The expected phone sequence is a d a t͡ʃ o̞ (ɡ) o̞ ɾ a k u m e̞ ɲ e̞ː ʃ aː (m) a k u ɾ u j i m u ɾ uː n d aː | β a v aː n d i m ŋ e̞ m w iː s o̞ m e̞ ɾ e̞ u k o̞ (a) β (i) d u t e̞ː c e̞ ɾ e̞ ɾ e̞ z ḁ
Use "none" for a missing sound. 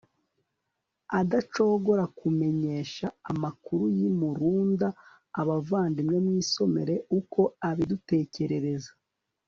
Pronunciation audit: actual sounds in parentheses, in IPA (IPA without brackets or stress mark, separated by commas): ɡ, m, a, i